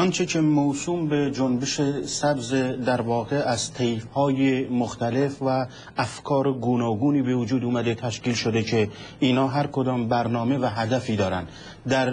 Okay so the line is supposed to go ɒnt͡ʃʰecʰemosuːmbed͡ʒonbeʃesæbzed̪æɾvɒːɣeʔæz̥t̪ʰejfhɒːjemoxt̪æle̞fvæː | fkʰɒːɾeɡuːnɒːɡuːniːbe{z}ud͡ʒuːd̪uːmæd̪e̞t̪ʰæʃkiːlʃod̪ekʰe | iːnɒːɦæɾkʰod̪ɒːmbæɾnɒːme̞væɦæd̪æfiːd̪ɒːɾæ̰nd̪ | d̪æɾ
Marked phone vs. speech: incorrect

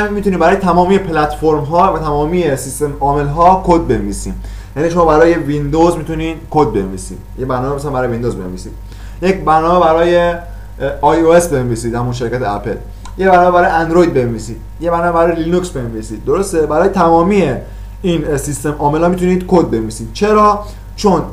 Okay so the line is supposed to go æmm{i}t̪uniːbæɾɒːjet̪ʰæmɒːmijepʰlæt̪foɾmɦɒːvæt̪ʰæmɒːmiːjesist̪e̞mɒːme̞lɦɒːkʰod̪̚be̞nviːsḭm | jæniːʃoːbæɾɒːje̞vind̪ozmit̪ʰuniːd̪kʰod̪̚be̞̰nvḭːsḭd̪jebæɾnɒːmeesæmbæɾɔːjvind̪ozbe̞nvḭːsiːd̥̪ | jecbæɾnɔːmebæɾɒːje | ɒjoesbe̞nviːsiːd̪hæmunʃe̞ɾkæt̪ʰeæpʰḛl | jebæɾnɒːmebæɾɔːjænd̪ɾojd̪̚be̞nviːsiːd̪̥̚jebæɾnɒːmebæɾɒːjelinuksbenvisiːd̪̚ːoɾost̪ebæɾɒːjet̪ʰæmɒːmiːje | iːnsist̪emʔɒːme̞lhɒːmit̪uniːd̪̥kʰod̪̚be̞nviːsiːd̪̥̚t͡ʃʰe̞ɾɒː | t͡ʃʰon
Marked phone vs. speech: correct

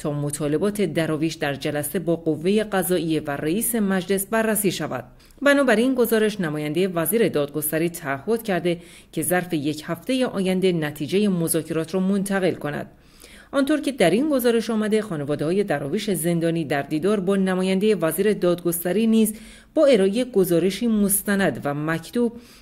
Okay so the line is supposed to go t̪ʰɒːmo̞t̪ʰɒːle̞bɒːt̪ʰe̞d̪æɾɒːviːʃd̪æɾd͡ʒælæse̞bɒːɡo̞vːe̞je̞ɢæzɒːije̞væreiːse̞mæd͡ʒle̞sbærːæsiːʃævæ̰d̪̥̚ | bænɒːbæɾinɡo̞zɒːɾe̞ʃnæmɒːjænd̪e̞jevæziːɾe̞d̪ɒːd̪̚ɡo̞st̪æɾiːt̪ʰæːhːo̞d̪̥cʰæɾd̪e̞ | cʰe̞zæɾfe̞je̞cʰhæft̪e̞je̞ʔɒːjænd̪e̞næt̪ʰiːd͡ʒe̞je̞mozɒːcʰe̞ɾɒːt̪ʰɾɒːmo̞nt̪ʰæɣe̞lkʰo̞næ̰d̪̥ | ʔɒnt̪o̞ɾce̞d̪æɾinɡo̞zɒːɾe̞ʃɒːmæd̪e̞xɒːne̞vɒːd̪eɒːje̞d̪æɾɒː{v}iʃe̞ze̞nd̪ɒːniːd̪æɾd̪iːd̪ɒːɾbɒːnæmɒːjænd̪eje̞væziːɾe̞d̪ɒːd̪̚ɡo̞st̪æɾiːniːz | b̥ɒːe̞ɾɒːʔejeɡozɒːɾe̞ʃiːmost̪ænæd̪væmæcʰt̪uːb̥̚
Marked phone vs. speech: correct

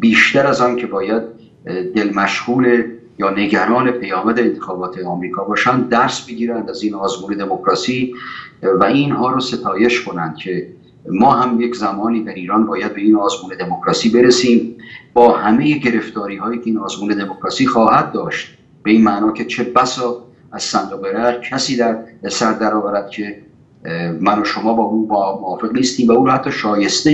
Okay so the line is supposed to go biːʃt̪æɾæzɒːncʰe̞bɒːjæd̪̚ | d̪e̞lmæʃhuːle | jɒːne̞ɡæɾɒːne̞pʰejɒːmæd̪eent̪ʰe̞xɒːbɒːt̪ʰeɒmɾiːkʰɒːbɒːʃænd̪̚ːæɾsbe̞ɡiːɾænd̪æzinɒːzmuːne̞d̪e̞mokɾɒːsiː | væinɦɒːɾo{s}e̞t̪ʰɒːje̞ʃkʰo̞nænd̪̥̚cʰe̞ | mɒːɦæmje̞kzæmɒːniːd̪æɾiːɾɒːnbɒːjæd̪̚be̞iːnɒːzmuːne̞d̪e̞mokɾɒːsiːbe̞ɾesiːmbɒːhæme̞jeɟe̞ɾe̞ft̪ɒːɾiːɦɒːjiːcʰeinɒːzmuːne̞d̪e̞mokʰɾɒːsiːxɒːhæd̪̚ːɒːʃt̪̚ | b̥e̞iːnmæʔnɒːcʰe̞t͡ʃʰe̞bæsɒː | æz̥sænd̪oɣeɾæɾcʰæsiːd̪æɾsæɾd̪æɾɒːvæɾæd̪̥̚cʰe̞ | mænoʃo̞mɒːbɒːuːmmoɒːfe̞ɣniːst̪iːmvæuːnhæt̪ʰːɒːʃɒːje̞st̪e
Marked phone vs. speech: correct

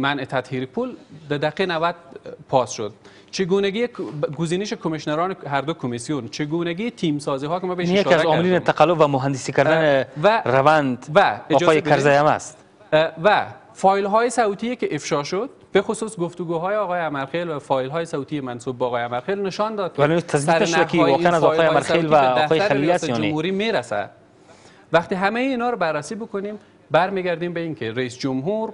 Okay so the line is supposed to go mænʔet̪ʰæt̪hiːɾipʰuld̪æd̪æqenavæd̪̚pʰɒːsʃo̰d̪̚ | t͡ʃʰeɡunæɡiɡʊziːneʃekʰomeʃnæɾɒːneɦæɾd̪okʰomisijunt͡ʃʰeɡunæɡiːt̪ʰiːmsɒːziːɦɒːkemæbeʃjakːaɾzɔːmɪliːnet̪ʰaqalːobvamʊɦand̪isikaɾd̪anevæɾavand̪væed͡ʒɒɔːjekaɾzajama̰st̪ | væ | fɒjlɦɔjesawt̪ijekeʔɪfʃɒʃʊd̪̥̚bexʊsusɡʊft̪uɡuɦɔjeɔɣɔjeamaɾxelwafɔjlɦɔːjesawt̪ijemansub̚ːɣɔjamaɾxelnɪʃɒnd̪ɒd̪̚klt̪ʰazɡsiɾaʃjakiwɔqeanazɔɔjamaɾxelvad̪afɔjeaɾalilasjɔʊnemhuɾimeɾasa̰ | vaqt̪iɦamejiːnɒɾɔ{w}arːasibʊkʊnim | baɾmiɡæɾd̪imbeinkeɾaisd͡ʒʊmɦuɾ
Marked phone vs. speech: incorrect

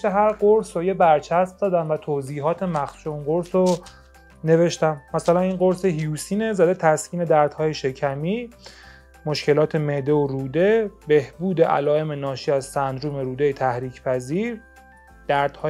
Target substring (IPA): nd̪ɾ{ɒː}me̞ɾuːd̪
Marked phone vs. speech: incorrect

